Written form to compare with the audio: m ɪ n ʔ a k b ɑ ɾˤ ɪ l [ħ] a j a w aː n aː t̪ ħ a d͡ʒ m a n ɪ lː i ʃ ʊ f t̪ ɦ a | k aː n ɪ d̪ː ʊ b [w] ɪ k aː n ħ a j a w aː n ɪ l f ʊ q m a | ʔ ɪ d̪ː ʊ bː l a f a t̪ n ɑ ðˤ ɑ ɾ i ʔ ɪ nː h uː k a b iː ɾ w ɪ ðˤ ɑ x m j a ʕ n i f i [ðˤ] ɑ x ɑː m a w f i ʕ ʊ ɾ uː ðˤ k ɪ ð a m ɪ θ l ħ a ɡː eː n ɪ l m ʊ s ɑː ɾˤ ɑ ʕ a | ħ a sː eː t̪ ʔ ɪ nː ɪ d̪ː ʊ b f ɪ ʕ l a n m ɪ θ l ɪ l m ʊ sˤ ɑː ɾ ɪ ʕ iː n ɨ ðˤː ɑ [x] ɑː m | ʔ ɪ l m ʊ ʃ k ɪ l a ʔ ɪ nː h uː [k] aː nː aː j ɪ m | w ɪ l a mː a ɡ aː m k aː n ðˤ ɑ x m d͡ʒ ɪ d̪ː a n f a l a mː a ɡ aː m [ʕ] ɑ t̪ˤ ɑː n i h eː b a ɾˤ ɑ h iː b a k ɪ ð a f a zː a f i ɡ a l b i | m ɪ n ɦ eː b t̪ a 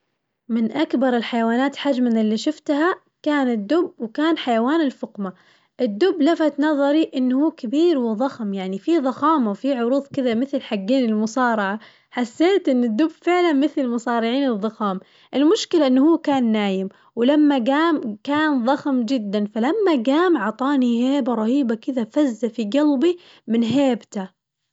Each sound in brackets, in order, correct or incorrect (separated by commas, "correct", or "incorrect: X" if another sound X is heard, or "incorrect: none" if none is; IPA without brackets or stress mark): correct, correct, correct, correct, correct, correct